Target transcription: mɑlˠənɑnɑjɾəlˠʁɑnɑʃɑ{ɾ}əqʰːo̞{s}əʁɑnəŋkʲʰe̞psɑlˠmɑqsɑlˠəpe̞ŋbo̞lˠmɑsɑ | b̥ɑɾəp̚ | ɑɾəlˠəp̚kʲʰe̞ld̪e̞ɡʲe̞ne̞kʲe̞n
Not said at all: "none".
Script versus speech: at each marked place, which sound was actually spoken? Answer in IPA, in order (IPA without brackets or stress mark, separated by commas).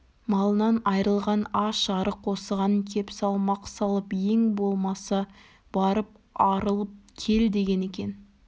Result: ɾ, s